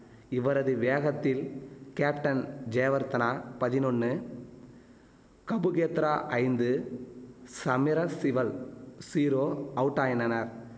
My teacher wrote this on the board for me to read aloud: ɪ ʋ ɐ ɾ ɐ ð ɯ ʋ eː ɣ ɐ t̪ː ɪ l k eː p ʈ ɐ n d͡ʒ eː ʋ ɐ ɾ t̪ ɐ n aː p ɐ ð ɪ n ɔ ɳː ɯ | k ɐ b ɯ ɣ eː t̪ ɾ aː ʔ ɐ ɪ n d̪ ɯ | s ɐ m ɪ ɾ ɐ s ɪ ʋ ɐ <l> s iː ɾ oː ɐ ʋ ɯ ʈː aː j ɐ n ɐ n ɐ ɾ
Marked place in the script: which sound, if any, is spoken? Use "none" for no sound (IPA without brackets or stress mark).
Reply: l